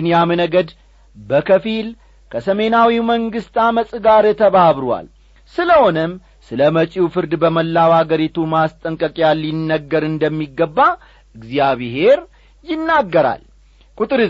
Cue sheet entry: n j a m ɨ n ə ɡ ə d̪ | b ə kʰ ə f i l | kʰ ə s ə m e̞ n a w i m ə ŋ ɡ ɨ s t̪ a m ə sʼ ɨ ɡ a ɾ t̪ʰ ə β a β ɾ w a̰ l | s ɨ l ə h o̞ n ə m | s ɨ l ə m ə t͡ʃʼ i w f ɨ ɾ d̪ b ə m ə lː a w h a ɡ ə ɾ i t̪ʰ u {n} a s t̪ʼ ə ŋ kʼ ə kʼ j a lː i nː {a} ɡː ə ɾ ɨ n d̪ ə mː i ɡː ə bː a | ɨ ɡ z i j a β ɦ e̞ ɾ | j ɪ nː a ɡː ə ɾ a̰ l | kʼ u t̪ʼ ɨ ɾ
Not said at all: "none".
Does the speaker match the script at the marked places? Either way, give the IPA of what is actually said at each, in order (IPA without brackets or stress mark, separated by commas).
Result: m, ə